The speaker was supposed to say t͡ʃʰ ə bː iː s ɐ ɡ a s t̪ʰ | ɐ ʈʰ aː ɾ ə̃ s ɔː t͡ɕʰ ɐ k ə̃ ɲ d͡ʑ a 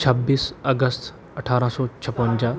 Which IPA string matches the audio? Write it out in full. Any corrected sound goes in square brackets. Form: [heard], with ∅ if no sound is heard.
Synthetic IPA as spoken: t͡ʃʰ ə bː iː s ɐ ɡ [ə] s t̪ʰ | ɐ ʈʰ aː ɾ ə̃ s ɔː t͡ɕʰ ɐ [p] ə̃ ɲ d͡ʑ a